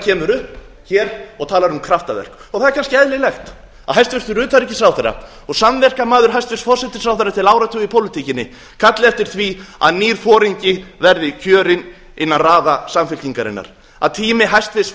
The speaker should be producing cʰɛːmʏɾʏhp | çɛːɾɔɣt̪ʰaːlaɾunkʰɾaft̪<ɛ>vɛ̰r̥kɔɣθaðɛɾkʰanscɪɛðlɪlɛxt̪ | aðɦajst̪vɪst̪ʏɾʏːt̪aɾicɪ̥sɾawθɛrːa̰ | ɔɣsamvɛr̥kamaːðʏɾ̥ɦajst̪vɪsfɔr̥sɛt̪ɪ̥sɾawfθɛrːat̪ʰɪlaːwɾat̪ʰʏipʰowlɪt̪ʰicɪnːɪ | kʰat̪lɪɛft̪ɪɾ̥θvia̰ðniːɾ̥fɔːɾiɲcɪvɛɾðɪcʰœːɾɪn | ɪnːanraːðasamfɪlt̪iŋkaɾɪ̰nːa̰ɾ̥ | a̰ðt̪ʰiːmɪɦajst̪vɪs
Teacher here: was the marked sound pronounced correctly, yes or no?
no